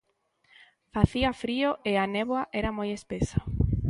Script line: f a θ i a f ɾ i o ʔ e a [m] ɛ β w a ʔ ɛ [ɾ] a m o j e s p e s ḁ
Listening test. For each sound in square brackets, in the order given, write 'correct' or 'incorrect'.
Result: incorrect, correct

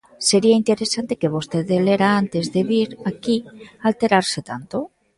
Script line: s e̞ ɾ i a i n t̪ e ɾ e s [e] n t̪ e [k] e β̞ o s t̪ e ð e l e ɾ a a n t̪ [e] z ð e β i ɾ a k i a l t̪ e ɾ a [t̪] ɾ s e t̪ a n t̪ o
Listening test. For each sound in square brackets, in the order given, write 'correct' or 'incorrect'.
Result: incorrect, correct, correct, incorrect

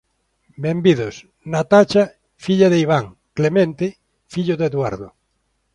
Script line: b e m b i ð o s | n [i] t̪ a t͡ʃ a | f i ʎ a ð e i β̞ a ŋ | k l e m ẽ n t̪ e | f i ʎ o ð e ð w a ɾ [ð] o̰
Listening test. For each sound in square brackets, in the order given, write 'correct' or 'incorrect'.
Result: incorrect, correct

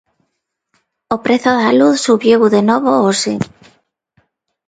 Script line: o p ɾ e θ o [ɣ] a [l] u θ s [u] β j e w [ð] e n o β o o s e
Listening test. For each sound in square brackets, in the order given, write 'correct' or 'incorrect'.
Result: incorrect, correct, correct, correct

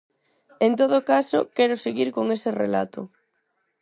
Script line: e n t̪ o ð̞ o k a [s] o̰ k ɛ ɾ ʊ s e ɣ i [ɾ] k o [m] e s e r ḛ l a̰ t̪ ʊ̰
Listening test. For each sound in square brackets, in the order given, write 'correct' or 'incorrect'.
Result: correct, correct, incorrect

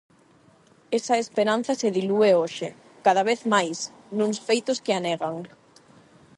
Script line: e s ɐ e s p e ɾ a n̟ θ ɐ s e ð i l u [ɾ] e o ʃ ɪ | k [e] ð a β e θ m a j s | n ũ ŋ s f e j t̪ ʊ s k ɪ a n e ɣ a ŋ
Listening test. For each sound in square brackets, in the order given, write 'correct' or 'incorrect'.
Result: incorrect, incorrect

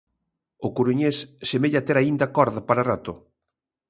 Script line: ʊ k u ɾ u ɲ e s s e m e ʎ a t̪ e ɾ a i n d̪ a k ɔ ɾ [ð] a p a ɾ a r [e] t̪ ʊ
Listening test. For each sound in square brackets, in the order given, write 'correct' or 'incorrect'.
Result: correct, incorrect

